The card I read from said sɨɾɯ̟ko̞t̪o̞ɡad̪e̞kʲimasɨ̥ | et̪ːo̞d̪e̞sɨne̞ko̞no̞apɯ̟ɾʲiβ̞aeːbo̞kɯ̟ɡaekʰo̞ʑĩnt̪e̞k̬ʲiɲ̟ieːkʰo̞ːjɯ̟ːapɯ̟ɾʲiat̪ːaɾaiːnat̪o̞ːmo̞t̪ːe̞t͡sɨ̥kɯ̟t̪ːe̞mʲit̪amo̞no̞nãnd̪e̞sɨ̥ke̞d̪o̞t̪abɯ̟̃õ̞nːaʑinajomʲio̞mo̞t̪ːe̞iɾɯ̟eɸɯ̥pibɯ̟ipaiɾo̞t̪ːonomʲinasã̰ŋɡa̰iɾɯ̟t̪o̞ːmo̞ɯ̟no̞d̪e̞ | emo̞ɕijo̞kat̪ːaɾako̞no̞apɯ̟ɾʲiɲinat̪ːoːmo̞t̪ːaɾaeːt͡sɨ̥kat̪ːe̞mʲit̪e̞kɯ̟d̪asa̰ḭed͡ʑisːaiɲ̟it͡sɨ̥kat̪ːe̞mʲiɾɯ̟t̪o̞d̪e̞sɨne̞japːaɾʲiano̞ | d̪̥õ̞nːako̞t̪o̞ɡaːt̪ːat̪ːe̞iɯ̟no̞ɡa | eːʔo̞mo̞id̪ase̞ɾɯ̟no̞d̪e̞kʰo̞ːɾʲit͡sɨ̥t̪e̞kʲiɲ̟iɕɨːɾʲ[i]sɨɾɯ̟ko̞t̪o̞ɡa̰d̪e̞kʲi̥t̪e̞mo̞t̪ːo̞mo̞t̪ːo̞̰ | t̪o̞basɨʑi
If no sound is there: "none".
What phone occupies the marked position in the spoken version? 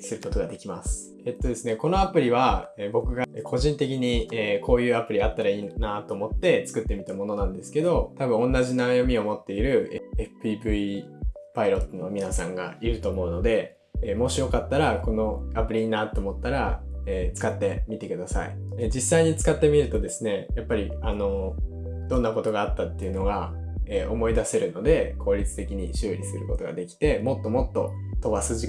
i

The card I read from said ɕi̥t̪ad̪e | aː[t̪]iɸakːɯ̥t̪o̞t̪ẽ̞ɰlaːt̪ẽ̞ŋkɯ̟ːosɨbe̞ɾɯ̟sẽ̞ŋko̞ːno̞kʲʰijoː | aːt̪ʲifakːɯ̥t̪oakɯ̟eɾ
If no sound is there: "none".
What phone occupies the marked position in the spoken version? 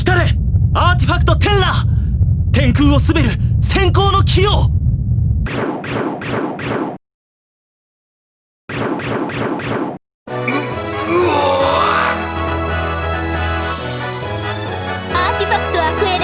t̪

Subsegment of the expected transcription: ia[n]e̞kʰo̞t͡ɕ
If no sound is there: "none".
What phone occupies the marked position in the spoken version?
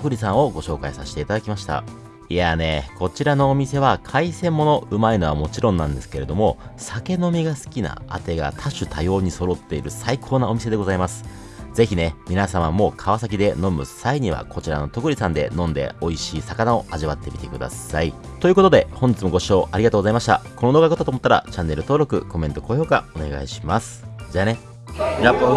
n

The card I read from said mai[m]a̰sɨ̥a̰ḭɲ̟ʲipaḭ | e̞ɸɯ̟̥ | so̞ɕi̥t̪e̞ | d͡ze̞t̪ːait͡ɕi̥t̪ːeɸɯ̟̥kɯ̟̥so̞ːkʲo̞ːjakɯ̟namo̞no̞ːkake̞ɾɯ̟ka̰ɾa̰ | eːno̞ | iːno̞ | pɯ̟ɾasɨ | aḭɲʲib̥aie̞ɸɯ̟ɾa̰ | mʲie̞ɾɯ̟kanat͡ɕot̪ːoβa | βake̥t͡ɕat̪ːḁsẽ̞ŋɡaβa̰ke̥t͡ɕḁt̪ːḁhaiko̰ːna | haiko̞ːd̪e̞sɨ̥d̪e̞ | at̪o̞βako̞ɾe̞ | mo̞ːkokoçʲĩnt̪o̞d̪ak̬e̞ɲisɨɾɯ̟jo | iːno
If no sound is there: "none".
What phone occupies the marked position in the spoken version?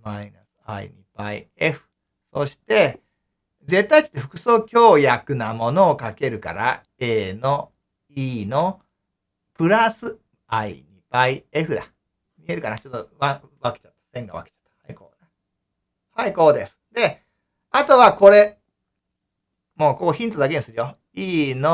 n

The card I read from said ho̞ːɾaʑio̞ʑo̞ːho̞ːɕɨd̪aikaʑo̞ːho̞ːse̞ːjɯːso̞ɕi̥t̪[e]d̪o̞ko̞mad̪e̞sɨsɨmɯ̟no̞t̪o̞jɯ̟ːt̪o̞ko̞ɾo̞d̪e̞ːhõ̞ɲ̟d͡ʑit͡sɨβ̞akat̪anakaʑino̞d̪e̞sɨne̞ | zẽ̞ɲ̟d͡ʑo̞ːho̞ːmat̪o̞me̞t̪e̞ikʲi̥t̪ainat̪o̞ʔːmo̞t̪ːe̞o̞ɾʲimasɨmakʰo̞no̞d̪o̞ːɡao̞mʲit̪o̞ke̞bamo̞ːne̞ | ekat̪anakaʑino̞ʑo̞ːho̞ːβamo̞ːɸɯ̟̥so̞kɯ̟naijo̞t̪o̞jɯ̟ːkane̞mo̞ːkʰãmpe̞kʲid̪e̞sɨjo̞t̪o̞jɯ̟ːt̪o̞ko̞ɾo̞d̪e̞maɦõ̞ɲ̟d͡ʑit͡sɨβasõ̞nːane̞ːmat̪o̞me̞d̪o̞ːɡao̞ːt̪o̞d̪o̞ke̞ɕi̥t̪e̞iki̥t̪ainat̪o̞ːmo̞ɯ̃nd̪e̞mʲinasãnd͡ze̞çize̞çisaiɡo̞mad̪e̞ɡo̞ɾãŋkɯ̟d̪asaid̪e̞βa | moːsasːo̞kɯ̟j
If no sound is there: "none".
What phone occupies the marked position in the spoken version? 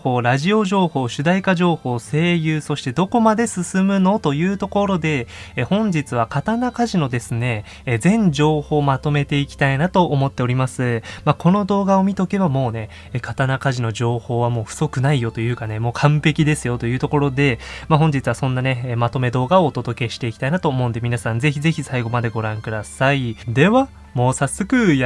e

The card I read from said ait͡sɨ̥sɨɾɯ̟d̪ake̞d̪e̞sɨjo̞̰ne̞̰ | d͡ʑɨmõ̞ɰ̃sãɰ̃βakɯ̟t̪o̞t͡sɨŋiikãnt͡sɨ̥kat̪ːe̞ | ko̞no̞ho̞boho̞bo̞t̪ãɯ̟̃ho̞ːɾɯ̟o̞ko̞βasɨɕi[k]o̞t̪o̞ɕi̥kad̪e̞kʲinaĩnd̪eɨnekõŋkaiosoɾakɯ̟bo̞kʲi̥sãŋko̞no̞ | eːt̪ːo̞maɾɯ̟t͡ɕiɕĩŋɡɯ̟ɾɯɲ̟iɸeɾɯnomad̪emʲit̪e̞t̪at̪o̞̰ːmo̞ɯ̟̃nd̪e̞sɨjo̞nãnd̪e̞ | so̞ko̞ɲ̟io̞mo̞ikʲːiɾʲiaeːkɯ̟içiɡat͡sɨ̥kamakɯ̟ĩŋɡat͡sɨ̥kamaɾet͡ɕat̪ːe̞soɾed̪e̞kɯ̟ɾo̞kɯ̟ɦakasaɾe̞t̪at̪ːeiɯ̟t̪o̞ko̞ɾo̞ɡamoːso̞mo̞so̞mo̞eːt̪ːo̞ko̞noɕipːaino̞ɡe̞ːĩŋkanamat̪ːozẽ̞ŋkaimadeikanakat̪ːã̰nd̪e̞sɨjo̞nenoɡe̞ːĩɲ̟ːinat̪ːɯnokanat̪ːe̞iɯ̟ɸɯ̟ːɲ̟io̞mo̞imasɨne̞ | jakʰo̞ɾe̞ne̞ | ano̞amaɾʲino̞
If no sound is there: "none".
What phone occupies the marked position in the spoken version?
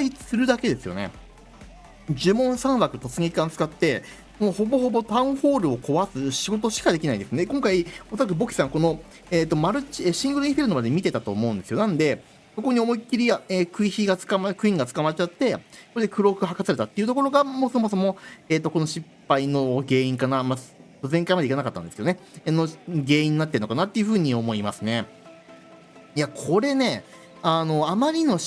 ɡ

